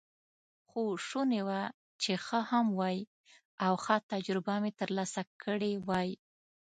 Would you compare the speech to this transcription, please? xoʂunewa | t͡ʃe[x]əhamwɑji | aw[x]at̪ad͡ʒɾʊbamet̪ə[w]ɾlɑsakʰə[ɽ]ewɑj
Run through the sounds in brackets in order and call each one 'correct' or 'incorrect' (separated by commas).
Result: correct, correct, incorrect, correct